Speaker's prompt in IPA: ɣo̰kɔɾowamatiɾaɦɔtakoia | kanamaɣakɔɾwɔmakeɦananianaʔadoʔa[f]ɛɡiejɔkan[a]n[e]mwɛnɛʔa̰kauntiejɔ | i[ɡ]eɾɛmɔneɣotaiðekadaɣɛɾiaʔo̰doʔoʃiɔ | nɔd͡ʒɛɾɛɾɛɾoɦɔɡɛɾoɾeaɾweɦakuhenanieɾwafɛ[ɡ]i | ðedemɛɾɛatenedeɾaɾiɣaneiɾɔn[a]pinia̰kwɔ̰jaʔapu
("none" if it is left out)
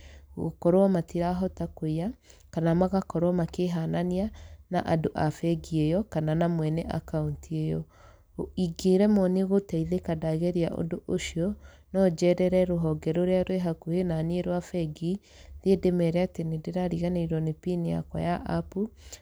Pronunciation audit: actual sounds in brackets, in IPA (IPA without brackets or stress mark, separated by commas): f, a, a, ɡ, ɡ, e